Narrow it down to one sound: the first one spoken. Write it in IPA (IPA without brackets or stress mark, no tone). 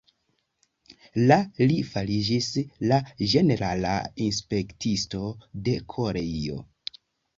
l